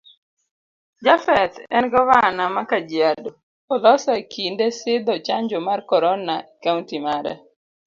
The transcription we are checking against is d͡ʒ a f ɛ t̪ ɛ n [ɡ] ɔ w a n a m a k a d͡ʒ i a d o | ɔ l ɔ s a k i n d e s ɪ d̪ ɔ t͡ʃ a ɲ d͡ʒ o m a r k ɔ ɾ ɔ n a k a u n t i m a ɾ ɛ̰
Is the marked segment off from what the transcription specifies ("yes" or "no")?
no